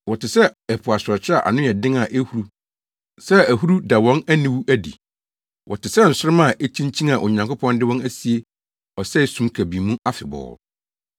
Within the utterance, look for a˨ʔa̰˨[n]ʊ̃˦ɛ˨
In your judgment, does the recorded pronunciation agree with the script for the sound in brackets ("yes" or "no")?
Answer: yes